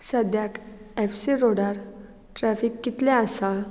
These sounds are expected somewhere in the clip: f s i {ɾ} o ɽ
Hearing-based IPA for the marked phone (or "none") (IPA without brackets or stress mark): ɾ